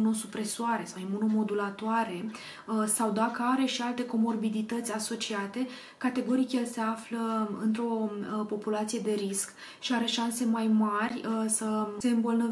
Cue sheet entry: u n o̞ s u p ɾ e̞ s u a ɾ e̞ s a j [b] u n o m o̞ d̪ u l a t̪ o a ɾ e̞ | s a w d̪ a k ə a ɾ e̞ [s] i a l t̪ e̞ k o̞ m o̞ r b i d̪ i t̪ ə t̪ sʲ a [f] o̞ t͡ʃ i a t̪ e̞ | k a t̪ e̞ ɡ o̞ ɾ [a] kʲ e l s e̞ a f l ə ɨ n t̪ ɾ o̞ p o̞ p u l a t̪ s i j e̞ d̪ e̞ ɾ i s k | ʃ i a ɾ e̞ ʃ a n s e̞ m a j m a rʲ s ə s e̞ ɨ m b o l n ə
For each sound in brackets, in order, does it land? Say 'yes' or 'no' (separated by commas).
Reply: no, no, no, no